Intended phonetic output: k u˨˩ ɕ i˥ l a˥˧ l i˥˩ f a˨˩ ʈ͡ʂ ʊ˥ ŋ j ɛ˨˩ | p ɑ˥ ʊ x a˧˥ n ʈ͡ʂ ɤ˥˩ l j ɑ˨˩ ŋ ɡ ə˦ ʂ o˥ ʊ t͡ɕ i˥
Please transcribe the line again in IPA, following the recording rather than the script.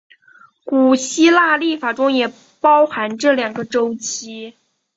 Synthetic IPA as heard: k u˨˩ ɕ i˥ l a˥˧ l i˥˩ f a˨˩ ʈ͡ʂ ʊ˥ ŋ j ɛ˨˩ | p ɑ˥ ʊ x a˧˥ n ʈ͡ʂ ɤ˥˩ l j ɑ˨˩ ŋ ɡ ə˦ ʈ͡ʂ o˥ ʊ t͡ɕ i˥

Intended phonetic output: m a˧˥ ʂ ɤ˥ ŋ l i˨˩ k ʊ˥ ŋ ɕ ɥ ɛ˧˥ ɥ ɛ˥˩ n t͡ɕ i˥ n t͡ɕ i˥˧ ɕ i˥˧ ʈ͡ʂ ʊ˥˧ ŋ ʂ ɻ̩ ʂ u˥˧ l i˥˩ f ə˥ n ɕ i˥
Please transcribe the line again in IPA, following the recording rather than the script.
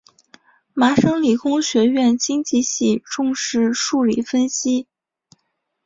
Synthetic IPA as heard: m a˧˥ ʂ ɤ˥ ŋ l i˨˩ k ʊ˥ ŋ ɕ ɥ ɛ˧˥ ɥ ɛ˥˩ n t͡ɕ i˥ ŋ t͡ɕ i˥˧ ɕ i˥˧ ʈ͡ʂ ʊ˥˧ ŋ ʂ ɻ̩ ʂ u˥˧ l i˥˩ f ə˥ n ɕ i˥

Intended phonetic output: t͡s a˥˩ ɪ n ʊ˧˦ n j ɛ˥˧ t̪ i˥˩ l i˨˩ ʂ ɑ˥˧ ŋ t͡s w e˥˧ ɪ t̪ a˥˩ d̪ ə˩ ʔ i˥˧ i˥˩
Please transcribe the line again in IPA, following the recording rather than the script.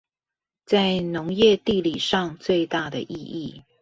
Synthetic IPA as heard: t͡s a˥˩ ɪ n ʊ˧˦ ŋ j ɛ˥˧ t̪ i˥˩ l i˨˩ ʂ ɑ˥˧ ŋ t͡s w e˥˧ ɪ t̪ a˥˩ d̪ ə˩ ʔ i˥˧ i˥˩

